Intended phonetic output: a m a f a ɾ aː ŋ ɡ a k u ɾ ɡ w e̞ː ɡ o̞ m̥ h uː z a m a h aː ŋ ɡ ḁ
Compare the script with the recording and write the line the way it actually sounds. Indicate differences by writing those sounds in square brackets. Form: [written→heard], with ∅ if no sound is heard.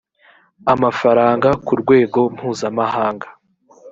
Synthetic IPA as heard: a m a f a ɾ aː ŋ ɡ a k u ɾ ɡ w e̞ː ɡ o̞ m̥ h uː z a m a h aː ŋ ɡ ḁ